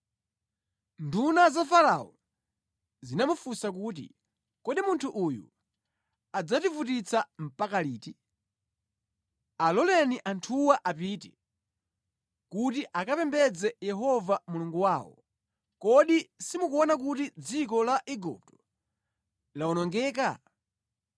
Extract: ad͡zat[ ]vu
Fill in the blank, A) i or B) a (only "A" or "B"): A